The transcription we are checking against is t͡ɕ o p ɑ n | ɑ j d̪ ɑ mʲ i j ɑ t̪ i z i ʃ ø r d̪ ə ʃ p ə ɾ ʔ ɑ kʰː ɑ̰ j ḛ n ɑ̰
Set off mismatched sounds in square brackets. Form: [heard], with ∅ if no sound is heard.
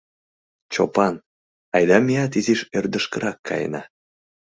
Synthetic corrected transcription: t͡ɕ o p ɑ n | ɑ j d̪ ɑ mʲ i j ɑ t̪ i z i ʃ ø r d̪ ə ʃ [k] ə ɾ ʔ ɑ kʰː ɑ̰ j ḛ n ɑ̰